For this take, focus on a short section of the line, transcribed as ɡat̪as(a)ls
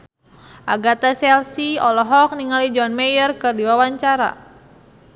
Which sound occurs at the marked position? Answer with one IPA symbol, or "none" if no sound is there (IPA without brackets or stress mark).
ɛ